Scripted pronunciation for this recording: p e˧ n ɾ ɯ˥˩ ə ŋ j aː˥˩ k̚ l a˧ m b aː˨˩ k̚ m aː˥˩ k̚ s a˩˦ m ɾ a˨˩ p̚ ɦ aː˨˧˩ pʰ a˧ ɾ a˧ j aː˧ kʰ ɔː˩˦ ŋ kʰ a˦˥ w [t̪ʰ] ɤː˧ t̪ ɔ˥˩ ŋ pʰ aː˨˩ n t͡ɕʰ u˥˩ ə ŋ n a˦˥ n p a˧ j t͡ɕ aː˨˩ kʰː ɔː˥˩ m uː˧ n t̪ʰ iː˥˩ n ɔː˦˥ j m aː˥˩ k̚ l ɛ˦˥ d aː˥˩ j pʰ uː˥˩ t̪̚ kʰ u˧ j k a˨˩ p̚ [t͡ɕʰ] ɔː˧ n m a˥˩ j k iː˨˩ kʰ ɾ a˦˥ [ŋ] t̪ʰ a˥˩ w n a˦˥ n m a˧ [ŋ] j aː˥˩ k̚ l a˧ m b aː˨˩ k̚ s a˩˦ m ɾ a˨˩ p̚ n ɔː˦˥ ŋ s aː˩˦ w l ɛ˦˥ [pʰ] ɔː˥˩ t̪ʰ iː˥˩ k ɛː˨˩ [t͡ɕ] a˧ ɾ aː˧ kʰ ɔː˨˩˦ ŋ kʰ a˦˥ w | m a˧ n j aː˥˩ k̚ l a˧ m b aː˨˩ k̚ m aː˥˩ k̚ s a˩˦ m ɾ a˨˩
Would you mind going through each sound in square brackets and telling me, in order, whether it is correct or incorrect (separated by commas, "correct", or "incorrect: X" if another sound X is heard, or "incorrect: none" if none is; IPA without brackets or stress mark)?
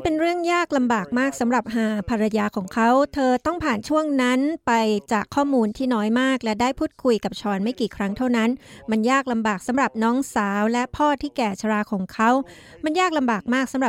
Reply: correct, correct, correct, incorrect: n, correct, incorrect: t͡ɕʰ